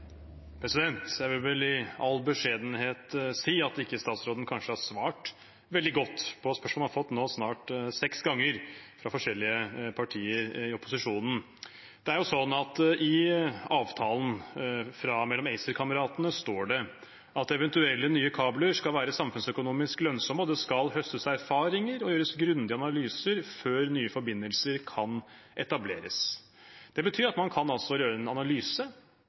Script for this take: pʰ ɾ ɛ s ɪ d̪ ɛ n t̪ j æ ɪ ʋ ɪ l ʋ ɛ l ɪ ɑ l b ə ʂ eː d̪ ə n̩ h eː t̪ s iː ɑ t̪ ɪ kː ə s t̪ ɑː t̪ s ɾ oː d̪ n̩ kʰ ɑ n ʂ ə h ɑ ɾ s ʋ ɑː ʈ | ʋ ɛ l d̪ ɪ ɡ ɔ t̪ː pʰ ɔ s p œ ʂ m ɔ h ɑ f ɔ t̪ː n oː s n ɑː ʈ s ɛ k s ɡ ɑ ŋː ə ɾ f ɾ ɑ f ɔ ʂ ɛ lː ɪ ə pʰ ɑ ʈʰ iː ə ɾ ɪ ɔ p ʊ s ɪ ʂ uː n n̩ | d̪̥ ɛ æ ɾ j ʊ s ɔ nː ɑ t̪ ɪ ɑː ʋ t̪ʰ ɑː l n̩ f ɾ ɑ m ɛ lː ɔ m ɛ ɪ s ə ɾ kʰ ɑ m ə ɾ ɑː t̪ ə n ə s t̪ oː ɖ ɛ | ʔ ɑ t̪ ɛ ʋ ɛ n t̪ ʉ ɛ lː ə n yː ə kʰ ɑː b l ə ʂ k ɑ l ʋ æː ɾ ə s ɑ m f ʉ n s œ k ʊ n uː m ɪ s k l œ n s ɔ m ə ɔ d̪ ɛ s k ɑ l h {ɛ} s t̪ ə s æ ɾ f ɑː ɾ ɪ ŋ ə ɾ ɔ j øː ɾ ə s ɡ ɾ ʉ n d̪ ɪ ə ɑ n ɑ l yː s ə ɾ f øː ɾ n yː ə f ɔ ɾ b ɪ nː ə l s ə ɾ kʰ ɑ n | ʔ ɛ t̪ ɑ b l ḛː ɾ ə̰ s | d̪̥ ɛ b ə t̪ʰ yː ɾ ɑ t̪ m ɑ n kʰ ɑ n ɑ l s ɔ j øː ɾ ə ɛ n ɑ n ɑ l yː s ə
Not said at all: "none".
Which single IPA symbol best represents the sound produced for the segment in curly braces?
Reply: œ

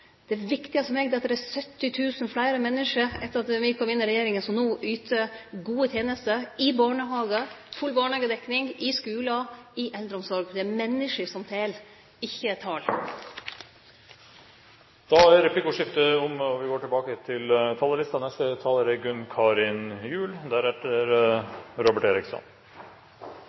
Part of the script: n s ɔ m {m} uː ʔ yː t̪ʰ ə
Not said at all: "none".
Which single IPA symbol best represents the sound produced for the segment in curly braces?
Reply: n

